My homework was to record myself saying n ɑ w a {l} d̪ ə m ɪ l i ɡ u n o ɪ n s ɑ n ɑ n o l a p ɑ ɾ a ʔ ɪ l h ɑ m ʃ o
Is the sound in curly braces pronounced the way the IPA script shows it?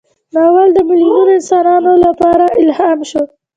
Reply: yes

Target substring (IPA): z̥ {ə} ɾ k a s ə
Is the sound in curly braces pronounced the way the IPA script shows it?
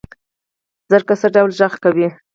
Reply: yes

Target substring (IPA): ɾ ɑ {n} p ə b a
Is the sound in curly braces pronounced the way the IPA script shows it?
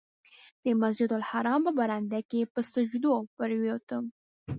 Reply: no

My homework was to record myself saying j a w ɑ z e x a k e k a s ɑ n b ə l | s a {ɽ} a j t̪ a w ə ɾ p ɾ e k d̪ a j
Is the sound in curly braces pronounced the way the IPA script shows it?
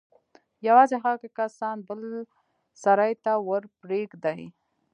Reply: no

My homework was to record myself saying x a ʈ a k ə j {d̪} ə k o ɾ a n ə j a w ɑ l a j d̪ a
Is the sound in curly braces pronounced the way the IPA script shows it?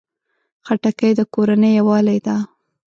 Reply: yes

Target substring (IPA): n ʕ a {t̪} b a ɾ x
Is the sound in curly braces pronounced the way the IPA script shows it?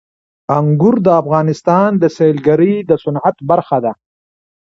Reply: yes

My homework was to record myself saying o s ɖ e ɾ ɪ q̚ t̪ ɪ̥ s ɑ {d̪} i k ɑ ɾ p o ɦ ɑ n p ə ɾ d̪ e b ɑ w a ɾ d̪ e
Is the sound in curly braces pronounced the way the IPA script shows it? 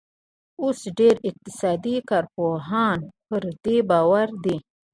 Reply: yes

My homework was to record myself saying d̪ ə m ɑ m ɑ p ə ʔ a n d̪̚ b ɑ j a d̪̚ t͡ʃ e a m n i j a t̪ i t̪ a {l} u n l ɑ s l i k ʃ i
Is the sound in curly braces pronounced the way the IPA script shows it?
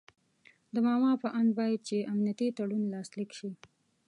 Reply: no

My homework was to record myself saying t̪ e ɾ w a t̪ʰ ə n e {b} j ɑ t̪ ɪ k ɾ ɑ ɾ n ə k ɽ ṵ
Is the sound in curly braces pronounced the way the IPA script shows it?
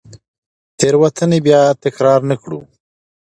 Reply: yes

